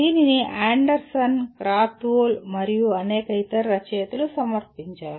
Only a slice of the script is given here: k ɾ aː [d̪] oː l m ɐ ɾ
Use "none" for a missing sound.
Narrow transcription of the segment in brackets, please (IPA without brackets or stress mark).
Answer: t̪